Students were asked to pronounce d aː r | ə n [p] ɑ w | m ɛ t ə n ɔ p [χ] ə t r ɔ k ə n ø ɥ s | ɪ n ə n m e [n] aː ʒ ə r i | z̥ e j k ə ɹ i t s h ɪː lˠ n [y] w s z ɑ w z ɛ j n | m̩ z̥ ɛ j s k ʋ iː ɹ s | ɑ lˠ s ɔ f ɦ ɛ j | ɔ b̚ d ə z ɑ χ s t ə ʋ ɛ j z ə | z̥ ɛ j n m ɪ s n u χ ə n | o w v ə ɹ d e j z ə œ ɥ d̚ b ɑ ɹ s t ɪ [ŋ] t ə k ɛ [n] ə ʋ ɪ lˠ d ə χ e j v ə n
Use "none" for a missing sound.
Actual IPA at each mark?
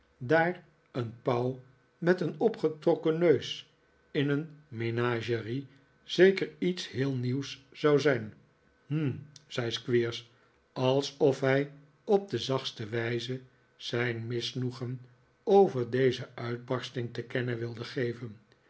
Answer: p, χ, n, i, ŋ, n

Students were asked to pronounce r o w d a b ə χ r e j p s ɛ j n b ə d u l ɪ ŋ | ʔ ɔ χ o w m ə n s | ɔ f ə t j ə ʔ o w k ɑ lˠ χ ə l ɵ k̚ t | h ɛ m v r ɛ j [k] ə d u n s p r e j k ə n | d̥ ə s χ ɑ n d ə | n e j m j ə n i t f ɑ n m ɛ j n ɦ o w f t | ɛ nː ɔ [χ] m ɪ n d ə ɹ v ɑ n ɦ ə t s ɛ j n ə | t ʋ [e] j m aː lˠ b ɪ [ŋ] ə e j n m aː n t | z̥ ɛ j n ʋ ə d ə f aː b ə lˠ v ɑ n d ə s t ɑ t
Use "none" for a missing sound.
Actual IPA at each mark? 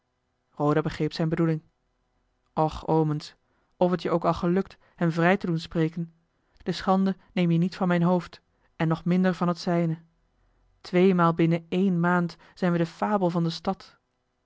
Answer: t, χ, e, n

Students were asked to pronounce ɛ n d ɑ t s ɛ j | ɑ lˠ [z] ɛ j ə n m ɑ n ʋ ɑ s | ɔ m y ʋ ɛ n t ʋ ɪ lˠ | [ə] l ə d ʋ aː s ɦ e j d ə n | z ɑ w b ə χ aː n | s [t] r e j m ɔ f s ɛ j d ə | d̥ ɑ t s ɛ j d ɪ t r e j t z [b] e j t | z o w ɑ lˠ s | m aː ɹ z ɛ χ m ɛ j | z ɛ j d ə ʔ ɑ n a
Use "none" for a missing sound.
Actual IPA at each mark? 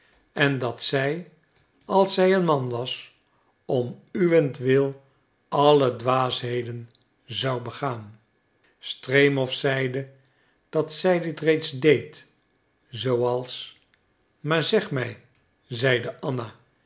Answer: s, ɑ, t, d

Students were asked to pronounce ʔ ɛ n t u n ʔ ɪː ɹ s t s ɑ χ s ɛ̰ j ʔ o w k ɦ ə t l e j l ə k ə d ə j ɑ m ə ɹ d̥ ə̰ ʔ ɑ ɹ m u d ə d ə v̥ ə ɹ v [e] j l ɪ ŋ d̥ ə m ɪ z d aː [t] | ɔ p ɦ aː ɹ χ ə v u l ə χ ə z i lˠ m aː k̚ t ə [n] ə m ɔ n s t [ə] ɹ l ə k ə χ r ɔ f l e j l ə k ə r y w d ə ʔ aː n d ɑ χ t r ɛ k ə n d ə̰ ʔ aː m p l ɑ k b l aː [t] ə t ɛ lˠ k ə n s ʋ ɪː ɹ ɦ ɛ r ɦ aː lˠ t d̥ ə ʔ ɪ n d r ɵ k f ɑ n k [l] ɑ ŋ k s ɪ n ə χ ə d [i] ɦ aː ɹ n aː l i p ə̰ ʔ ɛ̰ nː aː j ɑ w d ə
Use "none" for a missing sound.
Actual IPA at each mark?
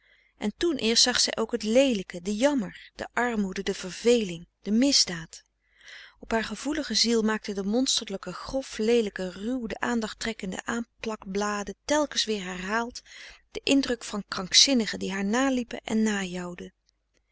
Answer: e, t, d, ə, d, r, i

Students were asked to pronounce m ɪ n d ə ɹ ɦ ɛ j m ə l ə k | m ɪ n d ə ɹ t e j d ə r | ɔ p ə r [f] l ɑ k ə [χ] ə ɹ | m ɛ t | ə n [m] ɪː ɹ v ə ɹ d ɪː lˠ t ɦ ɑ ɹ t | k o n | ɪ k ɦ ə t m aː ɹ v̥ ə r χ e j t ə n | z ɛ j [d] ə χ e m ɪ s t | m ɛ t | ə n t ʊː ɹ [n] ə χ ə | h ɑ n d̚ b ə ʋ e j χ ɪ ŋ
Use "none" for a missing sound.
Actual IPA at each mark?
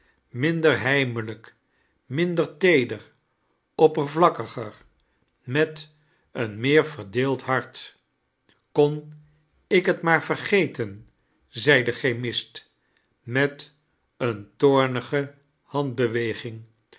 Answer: v, χ, m, d, n

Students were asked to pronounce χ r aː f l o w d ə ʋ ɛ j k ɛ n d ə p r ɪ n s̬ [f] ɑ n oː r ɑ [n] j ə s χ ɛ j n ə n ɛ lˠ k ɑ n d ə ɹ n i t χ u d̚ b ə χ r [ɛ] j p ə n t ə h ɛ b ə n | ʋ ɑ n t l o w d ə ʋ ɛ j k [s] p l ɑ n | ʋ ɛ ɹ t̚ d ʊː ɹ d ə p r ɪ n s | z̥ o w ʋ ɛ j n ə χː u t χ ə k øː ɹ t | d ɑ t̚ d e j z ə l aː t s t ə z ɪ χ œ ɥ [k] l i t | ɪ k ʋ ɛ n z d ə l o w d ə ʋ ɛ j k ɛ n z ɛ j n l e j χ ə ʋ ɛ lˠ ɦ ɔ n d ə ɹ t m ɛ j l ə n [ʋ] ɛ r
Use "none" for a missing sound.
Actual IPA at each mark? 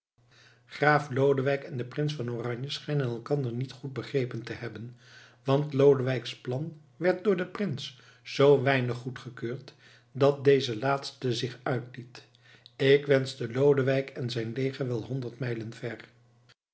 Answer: f, ɲ, e, s, t, v

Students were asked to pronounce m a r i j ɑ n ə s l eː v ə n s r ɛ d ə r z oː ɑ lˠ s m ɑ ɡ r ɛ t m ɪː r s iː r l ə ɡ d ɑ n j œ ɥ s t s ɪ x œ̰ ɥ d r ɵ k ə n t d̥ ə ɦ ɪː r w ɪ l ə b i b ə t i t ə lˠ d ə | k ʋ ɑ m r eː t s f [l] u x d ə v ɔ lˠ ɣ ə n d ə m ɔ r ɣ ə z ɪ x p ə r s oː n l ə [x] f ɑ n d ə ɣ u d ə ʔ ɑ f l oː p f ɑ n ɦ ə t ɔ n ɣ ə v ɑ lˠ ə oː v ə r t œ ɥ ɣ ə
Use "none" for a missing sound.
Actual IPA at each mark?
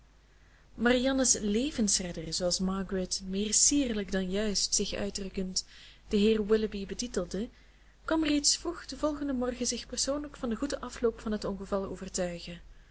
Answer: r, k

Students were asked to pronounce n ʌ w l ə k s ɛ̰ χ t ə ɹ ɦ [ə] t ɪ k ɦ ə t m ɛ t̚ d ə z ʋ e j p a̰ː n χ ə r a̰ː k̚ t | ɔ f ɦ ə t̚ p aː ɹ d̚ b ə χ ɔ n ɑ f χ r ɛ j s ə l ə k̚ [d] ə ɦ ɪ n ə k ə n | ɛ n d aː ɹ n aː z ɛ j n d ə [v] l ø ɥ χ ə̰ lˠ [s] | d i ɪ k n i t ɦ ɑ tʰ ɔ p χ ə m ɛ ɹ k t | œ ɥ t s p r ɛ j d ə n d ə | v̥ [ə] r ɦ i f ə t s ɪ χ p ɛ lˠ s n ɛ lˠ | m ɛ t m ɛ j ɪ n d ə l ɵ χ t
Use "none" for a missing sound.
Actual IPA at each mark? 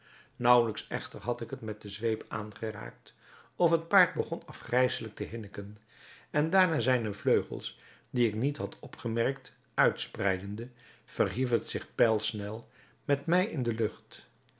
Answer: ɑ, t, v, s, ə

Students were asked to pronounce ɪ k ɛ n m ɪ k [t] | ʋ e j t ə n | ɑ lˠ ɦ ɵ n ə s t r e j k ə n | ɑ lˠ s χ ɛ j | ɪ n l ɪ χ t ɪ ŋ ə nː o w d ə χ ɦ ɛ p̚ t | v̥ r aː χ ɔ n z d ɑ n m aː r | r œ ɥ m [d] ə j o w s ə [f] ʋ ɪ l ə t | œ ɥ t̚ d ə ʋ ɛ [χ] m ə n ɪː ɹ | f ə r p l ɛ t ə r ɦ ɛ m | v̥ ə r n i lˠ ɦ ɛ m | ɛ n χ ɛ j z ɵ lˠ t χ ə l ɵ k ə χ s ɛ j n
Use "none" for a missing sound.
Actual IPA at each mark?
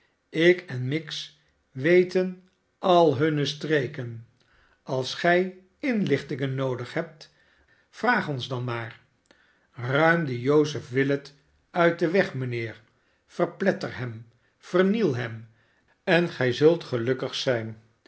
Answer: s, d, f, χ

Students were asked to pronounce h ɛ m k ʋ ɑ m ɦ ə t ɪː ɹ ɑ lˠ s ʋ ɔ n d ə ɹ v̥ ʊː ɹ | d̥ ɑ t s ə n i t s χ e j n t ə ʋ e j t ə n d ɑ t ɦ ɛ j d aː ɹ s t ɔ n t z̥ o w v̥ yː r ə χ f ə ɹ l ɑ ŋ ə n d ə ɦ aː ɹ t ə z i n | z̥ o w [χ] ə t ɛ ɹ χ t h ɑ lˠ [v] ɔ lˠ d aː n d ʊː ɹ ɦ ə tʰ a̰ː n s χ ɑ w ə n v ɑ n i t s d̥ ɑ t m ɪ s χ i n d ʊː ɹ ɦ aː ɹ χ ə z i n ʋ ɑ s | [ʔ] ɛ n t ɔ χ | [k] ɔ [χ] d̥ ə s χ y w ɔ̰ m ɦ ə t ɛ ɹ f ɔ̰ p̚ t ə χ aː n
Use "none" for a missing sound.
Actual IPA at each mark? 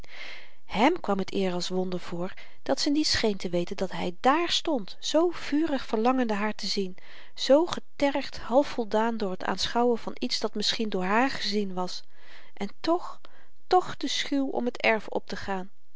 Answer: χ, f, ʔ, t, χ

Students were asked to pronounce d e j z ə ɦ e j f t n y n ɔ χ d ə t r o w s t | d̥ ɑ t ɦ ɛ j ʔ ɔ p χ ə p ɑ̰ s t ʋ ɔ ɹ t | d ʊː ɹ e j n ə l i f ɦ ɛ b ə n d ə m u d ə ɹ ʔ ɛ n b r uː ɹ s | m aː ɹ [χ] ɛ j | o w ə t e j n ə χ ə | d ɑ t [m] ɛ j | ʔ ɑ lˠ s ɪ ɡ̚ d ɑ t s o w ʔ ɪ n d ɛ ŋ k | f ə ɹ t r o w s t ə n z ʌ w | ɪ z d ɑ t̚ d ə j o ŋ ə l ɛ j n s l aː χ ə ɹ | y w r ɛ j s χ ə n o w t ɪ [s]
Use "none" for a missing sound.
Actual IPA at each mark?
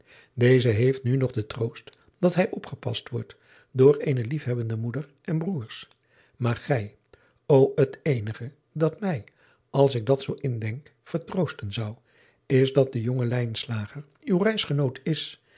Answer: χ, m, s

